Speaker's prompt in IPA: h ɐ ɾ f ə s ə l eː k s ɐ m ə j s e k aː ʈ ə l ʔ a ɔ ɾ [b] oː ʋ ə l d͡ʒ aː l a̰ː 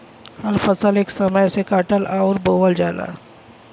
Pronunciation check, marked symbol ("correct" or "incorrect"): correct